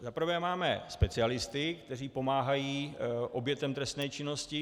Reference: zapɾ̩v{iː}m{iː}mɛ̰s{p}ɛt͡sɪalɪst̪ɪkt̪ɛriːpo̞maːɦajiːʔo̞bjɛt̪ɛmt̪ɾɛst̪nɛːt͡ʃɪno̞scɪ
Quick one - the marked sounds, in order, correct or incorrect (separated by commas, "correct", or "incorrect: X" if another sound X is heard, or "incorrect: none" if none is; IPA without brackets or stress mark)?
incorrect: ɛː, incorrect: aː, correct